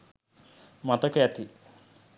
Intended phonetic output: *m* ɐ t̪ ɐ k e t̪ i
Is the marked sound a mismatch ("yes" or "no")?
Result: no